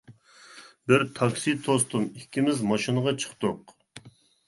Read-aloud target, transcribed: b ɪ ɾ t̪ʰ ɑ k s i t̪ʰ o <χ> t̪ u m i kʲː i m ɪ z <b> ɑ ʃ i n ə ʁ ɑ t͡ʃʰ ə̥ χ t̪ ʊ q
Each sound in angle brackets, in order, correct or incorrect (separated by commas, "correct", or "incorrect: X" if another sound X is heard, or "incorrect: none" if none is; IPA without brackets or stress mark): incorrect: s, incorrect: m